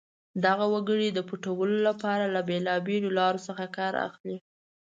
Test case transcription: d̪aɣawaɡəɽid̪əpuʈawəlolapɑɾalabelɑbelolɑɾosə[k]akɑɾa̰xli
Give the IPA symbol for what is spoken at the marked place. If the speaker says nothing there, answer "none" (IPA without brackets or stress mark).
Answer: x